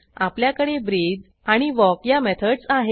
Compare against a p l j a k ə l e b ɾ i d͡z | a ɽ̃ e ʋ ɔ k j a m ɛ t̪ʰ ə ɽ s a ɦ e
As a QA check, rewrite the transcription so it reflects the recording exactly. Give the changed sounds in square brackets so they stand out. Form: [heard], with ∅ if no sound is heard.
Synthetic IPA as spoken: a p l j a k ə [ɽ] e b ɾ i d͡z | a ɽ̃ [i] ʋ ɔ k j a m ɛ t̪ʰ ə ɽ s a ɦ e